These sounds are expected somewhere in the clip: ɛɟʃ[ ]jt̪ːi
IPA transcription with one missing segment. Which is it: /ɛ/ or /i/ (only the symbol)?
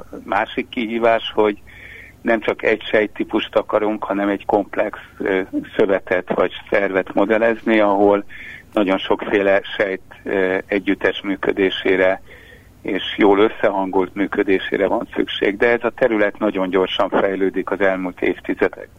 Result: ɛ